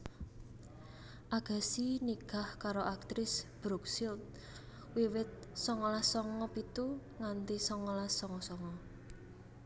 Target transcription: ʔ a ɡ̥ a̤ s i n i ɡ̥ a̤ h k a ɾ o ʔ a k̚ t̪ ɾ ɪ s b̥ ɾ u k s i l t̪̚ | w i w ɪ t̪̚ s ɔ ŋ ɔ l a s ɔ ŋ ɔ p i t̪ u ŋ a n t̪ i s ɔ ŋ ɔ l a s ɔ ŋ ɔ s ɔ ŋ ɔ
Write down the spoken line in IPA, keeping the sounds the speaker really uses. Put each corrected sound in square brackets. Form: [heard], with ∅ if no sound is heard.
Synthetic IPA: ʔ a ɡ̥ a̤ s i n i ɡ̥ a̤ h k a ɾ o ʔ a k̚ t̪ ɾ ɪ s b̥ ɾ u k s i l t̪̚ | w i w ɪ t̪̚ s ɔ ŋ ɔ l a s ɔ ŋ ɔ p i t̪ u ŋ a n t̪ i s ɔ ŋ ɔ l a s ɔ ŋ ɔ s ɔ ŋ ɔ

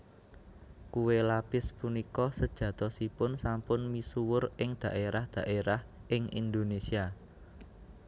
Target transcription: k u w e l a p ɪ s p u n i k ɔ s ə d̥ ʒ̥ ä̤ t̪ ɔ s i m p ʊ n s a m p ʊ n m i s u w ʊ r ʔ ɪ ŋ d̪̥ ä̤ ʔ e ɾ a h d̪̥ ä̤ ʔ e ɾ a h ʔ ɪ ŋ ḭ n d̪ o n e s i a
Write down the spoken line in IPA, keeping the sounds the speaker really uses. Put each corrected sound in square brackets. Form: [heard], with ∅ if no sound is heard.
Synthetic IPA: k u w e l a p ɪ s p u n i k ɔ s ə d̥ ʒ̥ ä̤ t̪ ɔ s i [∅] p ʊ n s a m p ʊ n m i s u w ʊ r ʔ ɪ ŋ d̪̥ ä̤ ʔ e ɾ a h d̪̥ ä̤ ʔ e ɾ a h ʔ ɪ ŋ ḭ n d̪ o n e s i a

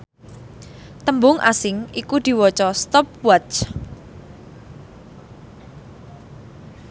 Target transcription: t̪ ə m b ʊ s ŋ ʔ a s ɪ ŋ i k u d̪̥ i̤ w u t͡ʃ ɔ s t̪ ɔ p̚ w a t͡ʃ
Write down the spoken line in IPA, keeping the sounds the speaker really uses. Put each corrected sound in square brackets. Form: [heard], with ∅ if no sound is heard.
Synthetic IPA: t̪ ə m b ʊ [∅] ŋ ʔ a s ɪ ŋ i k u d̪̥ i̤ w [ɔ] t͡ʃ ɔ s t̪ ɔ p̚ w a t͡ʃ

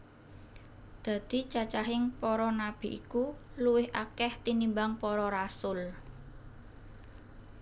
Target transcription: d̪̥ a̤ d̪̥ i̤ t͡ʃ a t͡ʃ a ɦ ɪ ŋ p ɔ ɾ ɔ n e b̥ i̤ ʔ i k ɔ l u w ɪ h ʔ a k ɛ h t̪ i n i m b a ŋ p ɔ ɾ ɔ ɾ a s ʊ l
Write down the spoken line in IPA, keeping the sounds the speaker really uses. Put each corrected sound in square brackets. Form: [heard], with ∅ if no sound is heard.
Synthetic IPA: d̪̥ a̤ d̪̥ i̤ t͡ʃ a t͡ʃ a ɦ ɪ ŋ p ɔ ɾ ɔ n [a] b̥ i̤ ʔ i k [u] l u w ɪ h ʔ a k ɛ h t̪ i n i m b a ŋ p ɔ ɾ ɔ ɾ a s ʊ l

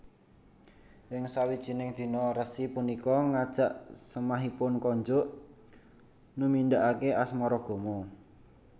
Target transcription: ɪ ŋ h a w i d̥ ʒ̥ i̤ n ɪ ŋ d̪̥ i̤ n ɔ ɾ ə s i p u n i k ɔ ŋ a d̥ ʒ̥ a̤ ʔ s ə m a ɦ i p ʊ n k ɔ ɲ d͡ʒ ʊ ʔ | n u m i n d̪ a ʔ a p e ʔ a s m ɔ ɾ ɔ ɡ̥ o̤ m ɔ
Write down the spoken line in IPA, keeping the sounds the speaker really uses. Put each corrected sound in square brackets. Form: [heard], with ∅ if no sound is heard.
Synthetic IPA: ɪ ŋ [s] a w i d̥ ʒ̥ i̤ n ɪ ŋ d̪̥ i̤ n ɔ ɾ ə s i p u n i k ɔ ŋ a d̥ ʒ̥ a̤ ʔ s ə m a ɦ i p ʊ n k ɔ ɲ d͡ʒ ʊ ʔ | n u m i n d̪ a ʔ a [k] e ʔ a s m ɔ ɾ ɔ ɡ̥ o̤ m ɔ

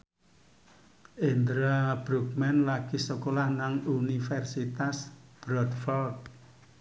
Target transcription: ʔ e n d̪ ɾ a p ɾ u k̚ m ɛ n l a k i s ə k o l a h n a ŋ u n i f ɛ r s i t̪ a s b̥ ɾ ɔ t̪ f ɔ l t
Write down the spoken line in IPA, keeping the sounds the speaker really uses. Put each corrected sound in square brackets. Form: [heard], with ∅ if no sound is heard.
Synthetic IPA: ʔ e n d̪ ɾ a [b] ɾ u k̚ m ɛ n l a k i s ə k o l a h n a ŋ u n i f ɛ r s i t̪ a s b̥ ɾ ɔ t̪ f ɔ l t

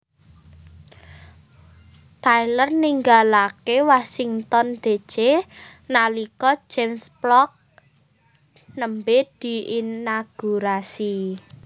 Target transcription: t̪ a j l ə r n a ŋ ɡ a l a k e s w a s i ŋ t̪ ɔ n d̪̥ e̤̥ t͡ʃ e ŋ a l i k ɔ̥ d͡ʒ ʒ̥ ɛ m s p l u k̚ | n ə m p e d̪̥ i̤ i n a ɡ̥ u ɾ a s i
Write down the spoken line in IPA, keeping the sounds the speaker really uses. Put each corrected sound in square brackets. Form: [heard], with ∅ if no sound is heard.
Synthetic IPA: t̪ a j l ə r n [i] ŋ ɡ a l a k e [∅] w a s i ŋ t̪ ɔ n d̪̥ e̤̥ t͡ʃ e [n] a l i k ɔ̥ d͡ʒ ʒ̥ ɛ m s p l [ɔ] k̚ | n ə m [b] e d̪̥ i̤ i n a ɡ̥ u ɾ a s i

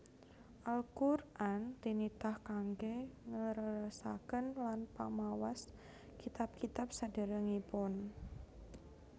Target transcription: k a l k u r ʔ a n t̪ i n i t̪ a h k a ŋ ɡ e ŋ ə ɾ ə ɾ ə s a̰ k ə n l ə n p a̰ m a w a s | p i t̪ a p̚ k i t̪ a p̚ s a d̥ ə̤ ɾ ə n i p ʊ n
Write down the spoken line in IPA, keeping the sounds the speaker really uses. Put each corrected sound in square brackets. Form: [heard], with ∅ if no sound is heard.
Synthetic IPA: [ʔ] a l k u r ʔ a n t̪ i n i t̪ a h k a ŋ ɡ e ŋ ə ɾ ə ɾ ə s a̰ k ə n l [a] n p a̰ m a w a s | [k] i t̪ a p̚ k i t̪ a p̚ s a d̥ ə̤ ɾ ə [ŋ] i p ʊ n

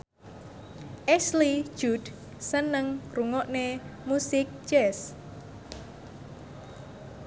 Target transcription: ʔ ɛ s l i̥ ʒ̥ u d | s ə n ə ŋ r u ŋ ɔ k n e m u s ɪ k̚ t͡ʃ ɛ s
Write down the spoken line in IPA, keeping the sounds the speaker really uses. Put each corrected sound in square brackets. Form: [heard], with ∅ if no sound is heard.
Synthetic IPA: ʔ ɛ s l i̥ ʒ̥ u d | s ə n ə ŋ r u ŋ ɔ [ʔ] n e m u s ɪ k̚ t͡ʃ ɛ s

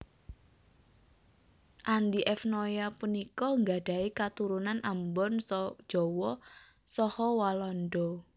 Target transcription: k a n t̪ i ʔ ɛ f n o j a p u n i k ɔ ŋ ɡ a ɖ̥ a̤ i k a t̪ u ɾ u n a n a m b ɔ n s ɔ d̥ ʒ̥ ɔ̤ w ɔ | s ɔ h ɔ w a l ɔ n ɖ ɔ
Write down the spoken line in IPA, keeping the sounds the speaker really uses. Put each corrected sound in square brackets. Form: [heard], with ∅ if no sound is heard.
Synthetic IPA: [ʔ] a n [d̪] i ʔ ɛ f n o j a p u n i k ɔ ŋ ɡ a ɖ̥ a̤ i k a t̪ u ɾ u n a n a m b ɔ n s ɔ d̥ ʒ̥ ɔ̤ w ɔ | s ɔ h ɔ w a l ɔ n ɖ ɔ

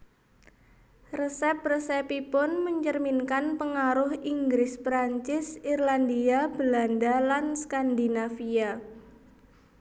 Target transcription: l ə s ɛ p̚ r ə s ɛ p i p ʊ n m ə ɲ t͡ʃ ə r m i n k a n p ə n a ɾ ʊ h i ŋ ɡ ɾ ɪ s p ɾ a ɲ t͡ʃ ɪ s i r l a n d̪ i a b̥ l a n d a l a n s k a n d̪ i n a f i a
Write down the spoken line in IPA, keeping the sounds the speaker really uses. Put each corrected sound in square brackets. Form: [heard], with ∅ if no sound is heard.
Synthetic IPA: [r] ə s ɛ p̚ r ə s ɛ p i p ʊ n m ə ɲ t͡ʃ ə r m i n k a n p ə [ŋ] a ɾ ʊ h i ŋ ɡ ɾ ɪ s p ɾ a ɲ t͡ʃ ɪ s i r l a n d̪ i a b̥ l a n d a l a n s k a n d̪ i n a f i a

